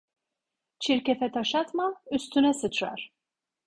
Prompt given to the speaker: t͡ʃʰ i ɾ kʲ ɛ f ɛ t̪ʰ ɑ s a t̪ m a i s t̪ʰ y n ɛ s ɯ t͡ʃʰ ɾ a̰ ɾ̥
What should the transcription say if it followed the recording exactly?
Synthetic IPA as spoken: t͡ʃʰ i ɾ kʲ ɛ f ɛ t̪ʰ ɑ ʃ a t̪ m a y s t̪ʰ y n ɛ s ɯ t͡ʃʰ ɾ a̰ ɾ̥